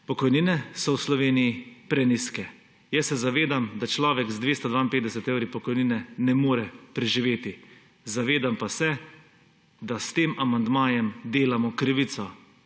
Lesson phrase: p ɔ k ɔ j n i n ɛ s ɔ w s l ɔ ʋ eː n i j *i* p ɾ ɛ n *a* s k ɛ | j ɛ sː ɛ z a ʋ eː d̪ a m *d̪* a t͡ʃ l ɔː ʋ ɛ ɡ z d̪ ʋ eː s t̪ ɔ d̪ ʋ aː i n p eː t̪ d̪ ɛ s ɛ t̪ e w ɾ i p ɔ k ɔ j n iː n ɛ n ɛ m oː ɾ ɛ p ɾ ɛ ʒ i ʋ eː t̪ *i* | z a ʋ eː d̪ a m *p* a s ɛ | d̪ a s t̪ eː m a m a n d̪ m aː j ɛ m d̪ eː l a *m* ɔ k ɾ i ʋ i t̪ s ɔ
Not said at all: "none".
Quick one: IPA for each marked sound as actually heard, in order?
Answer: i, i, d̪, i, p, m

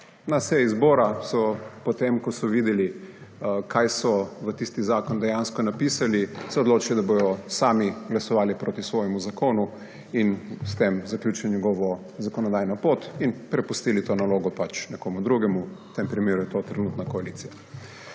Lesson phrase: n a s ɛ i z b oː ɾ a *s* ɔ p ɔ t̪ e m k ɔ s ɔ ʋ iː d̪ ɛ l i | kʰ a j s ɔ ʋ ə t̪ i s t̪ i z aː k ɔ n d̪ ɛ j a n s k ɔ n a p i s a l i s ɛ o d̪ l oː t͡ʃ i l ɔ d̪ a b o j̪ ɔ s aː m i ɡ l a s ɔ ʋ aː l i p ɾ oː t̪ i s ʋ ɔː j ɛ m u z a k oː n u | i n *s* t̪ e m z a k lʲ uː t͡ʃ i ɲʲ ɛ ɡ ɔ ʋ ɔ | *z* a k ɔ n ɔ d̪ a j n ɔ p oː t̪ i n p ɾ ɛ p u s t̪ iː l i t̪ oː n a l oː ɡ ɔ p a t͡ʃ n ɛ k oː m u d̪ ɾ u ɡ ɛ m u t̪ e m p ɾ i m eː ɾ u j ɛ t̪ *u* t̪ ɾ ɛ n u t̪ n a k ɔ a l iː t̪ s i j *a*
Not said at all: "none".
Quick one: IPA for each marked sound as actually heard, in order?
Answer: s, s, z, o, a

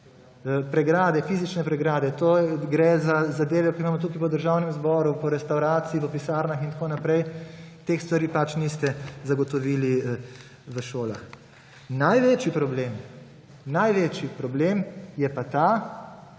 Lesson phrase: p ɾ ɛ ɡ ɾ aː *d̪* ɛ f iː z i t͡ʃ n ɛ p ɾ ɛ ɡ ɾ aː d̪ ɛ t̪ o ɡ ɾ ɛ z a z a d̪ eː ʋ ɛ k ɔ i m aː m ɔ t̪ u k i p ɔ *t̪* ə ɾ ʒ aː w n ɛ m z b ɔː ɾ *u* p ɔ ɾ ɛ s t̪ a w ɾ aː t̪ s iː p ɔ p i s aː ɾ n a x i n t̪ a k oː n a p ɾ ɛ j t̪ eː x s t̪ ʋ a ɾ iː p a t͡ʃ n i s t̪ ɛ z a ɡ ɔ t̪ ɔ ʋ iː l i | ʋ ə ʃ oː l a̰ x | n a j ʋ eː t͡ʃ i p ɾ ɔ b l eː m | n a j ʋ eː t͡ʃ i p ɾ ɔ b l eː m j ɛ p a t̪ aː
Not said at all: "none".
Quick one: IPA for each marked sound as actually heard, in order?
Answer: d̪, d̪, u

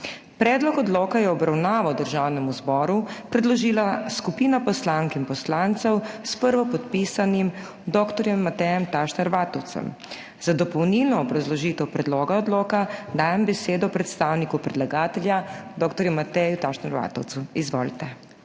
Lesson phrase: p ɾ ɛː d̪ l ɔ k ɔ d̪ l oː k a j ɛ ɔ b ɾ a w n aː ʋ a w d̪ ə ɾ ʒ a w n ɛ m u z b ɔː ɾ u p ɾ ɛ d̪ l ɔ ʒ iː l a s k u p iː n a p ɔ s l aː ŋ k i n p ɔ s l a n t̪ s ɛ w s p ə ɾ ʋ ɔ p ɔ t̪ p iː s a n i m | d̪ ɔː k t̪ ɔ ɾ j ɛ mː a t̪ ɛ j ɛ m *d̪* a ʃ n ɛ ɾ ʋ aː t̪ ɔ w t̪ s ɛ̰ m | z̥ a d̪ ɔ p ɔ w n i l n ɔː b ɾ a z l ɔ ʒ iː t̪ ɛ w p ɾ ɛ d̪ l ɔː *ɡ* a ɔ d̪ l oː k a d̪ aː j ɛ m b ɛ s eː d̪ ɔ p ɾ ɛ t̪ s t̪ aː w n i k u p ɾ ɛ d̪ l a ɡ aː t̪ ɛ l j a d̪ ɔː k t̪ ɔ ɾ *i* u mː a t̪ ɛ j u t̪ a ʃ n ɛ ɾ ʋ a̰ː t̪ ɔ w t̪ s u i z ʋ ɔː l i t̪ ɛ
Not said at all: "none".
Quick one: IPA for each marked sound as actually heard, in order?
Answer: t̪, ɡ, j

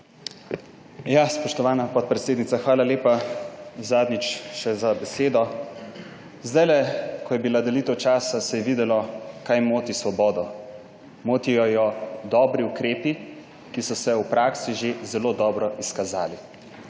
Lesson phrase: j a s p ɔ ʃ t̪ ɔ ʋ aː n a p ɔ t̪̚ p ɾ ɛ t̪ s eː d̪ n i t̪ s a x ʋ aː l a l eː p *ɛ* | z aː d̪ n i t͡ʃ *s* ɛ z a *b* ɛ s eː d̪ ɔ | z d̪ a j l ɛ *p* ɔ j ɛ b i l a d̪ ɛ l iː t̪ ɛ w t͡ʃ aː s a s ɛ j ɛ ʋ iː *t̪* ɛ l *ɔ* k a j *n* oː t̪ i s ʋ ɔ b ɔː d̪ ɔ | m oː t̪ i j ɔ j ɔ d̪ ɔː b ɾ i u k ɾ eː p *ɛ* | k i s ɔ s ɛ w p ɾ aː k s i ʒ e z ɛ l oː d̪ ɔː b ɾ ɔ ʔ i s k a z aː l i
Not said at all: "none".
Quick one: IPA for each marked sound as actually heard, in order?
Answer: a, ʃ, b, k, d̪, ɔ, m, i

